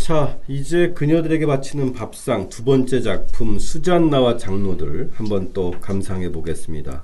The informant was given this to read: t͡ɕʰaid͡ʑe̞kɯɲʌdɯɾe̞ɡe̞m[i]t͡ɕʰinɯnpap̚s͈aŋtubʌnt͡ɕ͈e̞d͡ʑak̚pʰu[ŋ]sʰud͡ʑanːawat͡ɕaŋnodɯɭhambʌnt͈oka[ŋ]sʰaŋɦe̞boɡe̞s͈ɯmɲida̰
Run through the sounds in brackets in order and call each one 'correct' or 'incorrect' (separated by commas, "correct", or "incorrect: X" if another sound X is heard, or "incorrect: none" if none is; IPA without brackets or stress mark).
incorrect: a, incorrect: m, incorrect: m